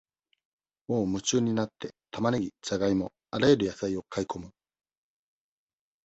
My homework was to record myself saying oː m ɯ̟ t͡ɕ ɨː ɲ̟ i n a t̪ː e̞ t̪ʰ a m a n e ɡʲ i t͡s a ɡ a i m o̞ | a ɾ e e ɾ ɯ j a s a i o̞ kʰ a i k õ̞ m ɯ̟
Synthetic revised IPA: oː m ɯ̟ t͡ɕ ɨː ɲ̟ i n a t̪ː e̞ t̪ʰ a m a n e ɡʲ i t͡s a ɡ a i m o̞ | a ɾ a e ɾ ɯ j a s a i o̞ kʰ a i k o̞ m ɯ̟